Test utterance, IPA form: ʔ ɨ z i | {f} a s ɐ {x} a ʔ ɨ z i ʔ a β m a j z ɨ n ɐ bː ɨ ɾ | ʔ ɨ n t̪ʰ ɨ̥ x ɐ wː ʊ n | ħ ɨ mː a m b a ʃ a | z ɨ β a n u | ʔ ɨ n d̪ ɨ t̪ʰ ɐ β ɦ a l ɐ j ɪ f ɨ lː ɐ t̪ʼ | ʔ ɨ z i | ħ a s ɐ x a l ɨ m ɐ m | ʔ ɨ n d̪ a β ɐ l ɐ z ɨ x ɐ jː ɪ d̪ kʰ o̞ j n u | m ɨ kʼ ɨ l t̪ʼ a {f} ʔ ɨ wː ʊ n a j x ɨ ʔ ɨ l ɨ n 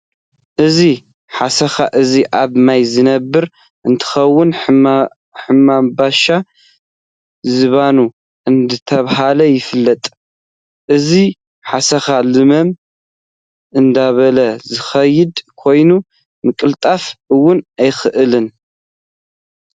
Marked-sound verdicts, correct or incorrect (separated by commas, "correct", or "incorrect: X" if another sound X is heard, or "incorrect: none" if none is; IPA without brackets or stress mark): incorrect: ħ, correct, correct